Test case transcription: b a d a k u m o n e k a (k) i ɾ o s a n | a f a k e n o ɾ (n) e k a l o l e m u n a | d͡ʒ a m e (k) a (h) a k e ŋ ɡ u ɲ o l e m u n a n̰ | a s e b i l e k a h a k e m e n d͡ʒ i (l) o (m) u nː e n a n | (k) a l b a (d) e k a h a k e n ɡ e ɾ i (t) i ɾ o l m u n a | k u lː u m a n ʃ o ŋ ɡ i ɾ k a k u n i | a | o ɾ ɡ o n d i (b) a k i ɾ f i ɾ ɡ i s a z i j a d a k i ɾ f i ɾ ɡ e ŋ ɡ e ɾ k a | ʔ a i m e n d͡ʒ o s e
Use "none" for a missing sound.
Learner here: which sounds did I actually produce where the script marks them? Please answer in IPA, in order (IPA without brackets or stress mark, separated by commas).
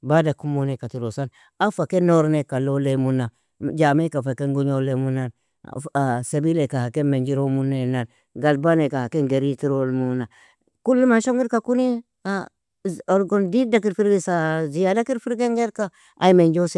t, n, k, f, ɾ, m, ɡ, n, t, d